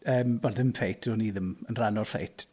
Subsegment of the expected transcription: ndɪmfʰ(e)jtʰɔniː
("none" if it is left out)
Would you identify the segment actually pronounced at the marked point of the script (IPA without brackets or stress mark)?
e